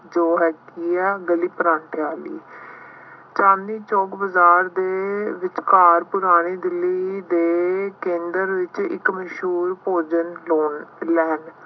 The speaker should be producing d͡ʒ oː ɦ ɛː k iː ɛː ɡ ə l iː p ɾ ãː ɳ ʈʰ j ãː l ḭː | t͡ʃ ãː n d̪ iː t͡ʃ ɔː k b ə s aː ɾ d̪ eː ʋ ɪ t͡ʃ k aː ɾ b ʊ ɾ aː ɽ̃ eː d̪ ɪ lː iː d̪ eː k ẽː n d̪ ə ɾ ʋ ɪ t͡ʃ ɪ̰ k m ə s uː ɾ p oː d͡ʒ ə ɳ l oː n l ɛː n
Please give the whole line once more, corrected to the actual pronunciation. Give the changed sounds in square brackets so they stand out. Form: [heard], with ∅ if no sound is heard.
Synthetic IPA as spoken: d͡ʒ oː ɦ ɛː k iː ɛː ɡ ə l iː p ɾ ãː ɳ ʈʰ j [aː] l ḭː | t͡ʃ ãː n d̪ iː t͡ʃ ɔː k b ə [z] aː ɾ d̪ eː ʋ ɪ t͡ʃ k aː ɾ [p] ʊ ɾ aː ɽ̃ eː d̪ ɪ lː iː d̪ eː k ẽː n d̪ ə ɾ ʋ ɪ t͡ʃ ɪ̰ k m ə [ʃ] uː ɾ p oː d͡ʒ ə [n] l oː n l ɛː n